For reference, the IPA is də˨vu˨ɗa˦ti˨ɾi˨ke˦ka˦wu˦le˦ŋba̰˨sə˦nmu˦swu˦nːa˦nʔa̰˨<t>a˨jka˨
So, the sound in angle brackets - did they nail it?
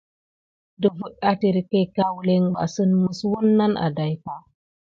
no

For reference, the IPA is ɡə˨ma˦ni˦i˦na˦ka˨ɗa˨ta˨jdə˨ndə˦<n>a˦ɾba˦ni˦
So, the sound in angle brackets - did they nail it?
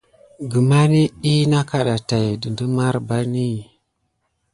no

